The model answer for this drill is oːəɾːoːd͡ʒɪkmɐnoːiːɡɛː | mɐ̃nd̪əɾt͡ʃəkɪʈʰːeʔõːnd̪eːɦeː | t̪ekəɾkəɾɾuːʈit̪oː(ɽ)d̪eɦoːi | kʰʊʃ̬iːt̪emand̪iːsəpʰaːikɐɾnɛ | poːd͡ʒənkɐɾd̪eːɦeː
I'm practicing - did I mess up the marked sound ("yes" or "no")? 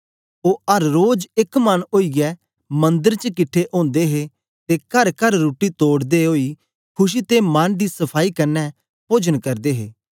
no